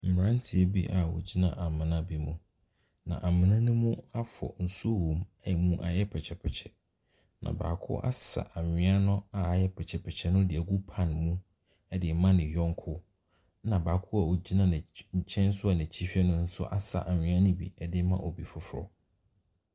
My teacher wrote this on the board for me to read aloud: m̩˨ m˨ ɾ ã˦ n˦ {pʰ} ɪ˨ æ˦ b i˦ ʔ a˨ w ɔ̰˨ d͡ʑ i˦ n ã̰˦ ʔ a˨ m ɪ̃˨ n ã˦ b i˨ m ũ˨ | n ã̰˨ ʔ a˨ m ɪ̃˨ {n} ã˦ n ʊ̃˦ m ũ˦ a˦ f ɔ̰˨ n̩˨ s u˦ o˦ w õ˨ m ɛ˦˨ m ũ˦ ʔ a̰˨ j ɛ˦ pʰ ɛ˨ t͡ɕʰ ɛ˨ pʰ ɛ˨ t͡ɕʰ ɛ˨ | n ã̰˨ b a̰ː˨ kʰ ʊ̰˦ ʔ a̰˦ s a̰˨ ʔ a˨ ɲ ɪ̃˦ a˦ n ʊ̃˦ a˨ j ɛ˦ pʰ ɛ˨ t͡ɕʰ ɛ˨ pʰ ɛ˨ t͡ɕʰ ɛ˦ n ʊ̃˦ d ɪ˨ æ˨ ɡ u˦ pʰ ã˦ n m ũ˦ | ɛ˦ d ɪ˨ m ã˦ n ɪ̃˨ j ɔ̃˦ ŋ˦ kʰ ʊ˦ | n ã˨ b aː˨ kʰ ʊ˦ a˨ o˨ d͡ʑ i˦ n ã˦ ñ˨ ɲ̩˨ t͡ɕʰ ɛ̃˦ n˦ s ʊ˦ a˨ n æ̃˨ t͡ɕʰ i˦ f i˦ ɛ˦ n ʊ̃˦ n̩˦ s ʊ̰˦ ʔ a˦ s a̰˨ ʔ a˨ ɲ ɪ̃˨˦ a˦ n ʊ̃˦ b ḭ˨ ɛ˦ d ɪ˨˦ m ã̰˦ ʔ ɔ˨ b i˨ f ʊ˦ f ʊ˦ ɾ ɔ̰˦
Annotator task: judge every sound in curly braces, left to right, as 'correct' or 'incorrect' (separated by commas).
incorrect, correct